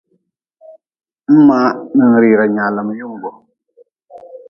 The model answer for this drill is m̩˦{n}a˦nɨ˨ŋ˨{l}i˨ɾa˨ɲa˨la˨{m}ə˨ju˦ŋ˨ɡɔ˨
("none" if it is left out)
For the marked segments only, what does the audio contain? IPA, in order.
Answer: m, ɾ, m

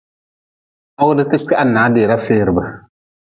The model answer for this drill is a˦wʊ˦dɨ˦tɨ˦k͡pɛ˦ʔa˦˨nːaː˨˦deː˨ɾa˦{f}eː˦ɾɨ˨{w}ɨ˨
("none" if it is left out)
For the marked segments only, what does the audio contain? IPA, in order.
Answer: f, b

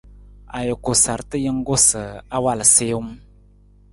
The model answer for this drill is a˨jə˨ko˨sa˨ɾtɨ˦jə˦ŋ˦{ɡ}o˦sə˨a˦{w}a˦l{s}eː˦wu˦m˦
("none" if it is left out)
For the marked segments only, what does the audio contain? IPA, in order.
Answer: ɡ, w, s

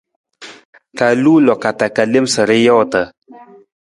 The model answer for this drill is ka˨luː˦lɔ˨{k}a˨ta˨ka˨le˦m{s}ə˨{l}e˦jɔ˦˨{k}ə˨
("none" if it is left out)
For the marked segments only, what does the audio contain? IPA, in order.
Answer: k, s, ɾ, t

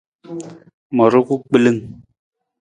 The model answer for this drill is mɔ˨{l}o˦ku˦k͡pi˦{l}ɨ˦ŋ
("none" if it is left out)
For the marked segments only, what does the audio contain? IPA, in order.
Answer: ɾ, l

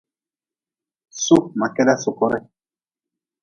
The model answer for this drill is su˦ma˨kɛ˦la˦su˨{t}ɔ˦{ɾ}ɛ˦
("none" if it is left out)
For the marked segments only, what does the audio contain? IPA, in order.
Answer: k, ɾ

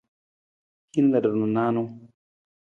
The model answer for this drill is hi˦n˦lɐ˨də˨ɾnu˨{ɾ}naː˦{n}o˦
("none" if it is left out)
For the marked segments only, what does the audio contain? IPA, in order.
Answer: none, n

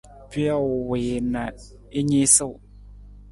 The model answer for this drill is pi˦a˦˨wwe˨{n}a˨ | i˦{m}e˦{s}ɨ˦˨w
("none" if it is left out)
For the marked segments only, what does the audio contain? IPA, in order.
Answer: n, ɲ, s

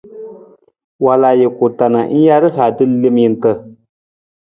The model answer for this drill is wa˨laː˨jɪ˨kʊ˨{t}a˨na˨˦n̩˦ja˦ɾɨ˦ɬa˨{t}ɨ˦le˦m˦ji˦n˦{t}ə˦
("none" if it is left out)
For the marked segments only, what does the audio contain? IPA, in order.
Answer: t, d, t

